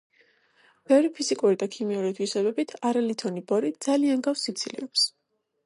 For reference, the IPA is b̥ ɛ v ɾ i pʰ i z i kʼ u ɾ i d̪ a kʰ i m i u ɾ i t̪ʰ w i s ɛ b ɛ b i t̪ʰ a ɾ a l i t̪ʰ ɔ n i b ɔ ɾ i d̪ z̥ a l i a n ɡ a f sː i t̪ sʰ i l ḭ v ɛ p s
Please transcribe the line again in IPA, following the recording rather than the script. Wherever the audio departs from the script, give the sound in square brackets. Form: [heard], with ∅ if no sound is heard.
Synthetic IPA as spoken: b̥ ɛ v ɾ i pʰ i z i kʼ u ɾ i d̪ a kʰ i m i u ɾ i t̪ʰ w i s ɛ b ɛ b i t̪ʰ a ɾ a l i t̪ʰ ɔ n i b ɔ ɾ i d̪ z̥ a l i a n ɡ a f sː i t̪ sʰ i l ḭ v ɛ p s